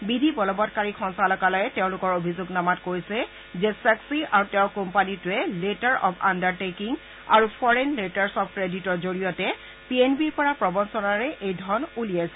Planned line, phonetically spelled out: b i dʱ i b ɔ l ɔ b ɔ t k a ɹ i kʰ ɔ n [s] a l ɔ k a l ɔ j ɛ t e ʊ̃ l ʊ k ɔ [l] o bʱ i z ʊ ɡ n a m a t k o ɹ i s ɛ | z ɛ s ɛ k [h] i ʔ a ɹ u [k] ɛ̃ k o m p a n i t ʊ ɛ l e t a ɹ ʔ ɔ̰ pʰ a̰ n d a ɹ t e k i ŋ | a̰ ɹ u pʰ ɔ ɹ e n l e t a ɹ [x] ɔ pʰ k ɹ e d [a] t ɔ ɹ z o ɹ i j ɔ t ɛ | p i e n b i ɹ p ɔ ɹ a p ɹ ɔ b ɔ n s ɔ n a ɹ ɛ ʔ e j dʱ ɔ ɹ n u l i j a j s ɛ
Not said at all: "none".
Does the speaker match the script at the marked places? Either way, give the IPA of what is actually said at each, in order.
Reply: s, ɹ, s, t, s, i

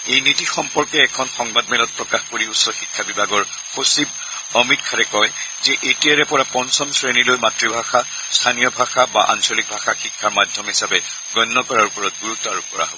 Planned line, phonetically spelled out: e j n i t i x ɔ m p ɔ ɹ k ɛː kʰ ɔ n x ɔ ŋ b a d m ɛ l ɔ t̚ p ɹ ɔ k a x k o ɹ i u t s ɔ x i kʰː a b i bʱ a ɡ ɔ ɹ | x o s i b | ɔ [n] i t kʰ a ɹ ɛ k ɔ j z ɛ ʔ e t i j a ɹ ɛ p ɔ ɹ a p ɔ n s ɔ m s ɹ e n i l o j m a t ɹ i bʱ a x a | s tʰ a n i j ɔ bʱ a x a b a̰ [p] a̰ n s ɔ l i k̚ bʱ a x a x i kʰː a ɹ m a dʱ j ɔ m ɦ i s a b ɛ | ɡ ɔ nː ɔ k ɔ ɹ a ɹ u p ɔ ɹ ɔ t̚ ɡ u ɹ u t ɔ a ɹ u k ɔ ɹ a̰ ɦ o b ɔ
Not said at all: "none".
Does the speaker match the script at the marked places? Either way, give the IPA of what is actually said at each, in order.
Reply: m, ʔ

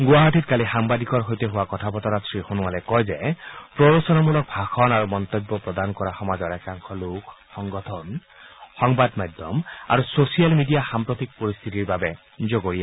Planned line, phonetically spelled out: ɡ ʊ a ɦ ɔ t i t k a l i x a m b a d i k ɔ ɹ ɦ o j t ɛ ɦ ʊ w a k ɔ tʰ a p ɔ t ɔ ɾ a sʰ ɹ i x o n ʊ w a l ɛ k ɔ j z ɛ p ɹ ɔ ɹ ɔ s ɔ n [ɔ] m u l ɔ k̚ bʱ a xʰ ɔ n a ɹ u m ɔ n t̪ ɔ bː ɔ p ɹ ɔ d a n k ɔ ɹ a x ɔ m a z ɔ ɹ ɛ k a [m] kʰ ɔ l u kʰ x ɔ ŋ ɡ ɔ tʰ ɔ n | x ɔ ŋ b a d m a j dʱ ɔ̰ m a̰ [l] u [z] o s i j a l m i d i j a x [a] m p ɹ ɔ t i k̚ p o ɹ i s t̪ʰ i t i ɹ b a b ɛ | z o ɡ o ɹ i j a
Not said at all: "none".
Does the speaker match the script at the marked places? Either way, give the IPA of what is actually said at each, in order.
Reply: ɔ, ŋ, ɹ, s, a

